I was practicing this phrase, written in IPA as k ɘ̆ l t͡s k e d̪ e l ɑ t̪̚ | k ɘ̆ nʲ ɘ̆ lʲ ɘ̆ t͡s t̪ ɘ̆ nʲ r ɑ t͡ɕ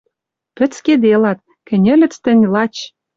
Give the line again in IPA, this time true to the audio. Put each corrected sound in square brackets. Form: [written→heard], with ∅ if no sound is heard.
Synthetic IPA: [k→p] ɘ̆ [l→∅] t͡s k e d̪ e l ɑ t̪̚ | k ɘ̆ nʲ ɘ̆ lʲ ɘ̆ t͡s t̪ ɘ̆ nʲ [r→l] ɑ t͡ɕ